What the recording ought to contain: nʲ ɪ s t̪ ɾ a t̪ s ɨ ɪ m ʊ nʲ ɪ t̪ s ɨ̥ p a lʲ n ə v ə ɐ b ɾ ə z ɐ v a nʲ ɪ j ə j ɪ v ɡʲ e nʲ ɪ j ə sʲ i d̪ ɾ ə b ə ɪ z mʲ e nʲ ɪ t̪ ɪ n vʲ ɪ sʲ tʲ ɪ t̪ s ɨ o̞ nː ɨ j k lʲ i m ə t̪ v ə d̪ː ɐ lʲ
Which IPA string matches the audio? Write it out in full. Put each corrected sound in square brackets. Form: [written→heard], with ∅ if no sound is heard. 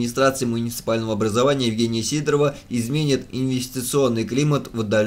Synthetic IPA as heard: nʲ ɪ s t̪ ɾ a t̪ s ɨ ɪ m ʊ nʲ ɪ t̪ s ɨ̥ p a lʲ n ə v ə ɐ b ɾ ə z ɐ v a nʲ ɪ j ə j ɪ v ɡʲ e nʲ ɪ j ə sʲ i d̪ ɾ ə [b→v] ə ɪ z mʲ e nʲ ɪ t̪ ɪ n vʲ ɪ sʲ tʲ ɪ t̪ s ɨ o̞ nː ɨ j k lʲ i m ə t̪ v ə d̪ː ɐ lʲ